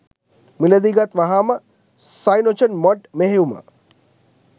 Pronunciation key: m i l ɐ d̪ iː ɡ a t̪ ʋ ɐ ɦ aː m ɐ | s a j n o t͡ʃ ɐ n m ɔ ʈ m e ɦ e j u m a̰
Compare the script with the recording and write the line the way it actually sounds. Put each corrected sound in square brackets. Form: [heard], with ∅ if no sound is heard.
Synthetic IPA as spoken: m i l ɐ d̪ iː ɡ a t̪ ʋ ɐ ɦ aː m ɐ | s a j n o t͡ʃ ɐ n m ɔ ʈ m e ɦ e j u m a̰